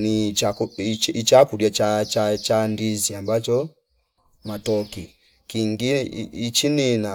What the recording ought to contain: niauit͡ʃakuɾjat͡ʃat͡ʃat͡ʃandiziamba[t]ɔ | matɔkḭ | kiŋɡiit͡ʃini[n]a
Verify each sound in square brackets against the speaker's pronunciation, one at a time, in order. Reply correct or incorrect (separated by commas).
incorrect, correct